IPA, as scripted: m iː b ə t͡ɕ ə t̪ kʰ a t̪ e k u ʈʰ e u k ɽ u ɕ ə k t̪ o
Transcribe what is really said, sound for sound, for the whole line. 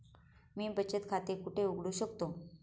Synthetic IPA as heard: m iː b ə t͡ɕ ə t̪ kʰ a t̪ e k u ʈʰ e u ɡ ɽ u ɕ ə k t̪ o